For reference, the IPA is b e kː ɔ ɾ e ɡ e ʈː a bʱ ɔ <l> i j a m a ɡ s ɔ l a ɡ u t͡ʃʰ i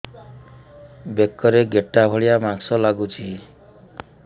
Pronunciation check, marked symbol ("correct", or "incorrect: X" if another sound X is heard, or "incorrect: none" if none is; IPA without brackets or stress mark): incorrect: ɭ